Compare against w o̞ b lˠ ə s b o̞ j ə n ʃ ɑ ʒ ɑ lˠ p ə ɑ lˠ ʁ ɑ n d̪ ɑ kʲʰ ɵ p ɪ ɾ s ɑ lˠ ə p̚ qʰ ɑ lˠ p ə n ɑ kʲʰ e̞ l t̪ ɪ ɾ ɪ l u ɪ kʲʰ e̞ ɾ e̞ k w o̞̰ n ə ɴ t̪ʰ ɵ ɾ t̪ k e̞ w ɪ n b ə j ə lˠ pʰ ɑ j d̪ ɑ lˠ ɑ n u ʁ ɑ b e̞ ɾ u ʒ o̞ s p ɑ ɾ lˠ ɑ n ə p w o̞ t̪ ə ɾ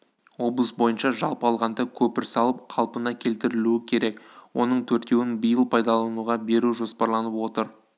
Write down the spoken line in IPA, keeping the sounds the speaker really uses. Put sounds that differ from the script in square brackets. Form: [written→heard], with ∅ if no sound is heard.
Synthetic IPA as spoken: w o̞ b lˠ ə s b o̞ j ə n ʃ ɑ ʒ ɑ lˠ p ə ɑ lˠ ʁ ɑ n d̪ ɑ kʲʰ ɵ p ɪ ɾ s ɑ lˠ ə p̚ qʰ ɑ lˠ p ə n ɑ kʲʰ e̞ l t̪ ɪ ɾ ɪ l u ɪ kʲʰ e̞ ɾ e̞ k w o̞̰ n ə ɴ t̪ʰ ɵ ɾ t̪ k e̞ w ɪ n b ə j ə lˠ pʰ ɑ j d̪ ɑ lˠ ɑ n u ʁ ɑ b e̞ ɾ u ʒ o̞ s p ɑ ɾ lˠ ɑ n ə p w o̞ t̪ ə ɾ

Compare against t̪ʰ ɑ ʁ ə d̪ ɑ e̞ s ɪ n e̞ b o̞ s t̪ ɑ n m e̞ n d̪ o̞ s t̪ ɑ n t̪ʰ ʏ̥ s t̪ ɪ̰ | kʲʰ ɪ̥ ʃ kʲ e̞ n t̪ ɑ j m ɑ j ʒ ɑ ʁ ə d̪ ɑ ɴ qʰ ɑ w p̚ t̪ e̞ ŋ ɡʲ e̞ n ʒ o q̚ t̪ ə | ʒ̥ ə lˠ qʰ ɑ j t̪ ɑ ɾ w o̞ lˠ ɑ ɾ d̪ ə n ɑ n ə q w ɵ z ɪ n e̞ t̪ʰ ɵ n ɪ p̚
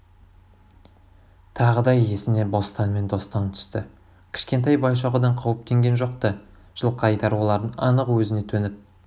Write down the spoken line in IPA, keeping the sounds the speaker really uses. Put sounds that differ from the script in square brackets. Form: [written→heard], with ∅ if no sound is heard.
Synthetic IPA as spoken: t̪ʰ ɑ ʁ ə d̪ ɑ e̞ s ɪ n e̞ b o̞ s t̪ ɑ n m e̞ n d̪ o̞ s t̪ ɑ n t̪ʰ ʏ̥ s t̪ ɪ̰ | kʲʰ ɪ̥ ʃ kʲ e̞ n t̪ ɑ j [m→b] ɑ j [ʒ→ʃ] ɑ ʁ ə d̪ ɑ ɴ qʰ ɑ w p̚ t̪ e̞ ŋ ɡʲ e̞ n ʒ o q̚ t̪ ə | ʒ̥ ə lˠ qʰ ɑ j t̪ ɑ ɾ w o̞ lˠ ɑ ɾ d̪ ə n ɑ n ə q w ɵ z ɪ n e̞ t̪ʰ ɵ n ɪ p̚

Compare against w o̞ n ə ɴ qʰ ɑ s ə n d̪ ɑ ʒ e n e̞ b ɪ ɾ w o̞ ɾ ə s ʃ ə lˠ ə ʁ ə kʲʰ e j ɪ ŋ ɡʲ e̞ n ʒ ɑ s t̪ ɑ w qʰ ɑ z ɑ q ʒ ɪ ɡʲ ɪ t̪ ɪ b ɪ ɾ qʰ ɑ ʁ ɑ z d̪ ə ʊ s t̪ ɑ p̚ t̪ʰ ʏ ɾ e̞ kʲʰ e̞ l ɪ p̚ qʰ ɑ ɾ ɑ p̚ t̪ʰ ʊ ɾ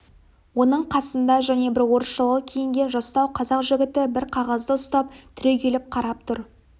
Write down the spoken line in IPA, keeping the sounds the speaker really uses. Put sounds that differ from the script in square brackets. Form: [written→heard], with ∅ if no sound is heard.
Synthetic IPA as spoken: w o̞ n ə ɴ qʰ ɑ s ə n d̪ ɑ ʒ [e→æ] n e̞ b ɪ ɾ w o̞ ɾ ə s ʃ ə lˠ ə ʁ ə kʲʰ e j ɪ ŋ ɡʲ e̞ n ʒ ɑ s t̪ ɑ w qʰ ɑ z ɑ q ʒ ɪ ɡʲ ɪ t̪ ɪ b ɪ ɾ qʰ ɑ ʁ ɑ z d̪ ə ʊ s t̪ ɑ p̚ t̪ʰ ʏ ɾ e̞ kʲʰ e̞ l ɪ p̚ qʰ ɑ ɾ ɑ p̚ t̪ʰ ʊ ɾ

